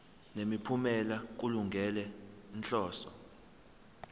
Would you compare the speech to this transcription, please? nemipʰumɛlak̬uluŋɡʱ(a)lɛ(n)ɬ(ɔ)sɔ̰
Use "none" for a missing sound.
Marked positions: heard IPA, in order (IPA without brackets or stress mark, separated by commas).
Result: ɛ, n, ɔː